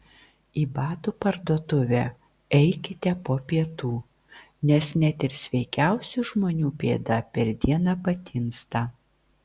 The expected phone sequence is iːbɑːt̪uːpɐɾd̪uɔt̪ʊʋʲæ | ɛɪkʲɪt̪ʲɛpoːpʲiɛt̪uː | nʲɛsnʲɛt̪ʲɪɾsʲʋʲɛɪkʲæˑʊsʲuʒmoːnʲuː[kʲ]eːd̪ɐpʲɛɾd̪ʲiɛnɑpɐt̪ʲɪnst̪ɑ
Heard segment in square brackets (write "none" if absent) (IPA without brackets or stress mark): pʲ